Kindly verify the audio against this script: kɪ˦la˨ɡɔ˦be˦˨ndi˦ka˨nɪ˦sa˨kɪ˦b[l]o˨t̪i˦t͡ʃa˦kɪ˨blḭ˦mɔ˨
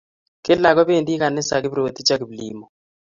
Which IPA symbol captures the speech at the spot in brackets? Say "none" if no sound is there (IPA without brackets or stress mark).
ɾ